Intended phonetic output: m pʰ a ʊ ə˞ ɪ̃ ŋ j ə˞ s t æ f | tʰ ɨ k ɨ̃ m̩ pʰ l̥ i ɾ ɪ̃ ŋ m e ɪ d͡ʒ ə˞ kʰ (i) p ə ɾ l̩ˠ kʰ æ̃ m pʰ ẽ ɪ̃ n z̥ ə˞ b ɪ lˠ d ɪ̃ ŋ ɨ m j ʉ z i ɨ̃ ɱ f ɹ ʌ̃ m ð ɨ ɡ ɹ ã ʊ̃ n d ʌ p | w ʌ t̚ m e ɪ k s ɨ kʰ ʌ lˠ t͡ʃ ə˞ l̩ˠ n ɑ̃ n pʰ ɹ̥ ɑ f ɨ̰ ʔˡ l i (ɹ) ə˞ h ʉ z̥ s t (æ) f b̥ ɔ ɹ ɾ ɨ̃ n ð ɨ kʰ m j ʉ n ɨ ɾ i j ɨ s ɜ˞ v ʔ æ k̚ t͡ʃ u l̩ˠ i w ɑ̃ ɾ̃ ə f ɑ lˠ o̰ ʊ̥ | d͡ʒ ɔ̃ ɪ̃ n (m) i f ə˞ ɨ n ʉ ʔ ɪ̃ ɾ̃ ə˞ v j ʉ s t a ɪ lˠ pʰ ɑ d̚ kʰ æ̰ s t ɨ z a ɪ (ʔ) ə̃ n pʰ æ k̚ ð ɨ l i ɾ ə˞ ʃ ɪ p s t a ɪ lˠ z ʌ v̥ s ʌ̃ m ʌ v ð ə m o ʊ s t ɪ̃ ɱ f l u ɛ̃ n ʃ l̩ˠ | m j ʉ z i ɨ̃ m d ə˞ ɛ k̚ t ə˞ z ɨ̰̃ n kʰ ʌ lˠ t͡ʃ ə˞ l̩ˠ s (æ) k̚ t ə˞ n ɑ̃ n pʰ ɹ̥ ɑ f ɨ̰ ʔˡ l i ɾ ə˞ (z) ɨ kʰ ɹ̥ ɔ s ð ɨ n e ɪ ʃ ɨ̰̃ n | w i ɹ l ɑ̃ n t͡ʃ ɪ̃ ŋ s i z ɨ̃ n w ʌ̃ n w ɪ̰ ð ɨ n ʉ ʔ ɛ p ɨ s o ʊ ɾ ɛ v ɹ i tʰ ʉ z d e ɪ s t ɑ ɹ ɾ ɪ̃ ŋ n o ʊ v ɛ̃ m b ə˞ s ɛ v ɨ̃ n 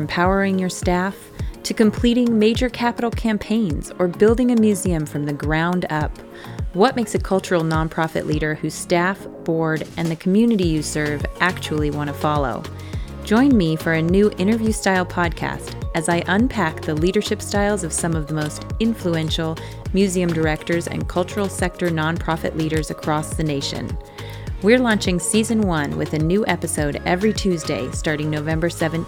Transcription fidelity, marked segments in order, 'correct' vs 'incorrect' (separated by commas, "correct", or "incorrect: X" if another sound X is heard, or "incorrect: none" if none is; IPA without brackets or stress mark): incorrect: æ, incorrect: ɾ, correct, correct, correct, incorrect: ɛ, correct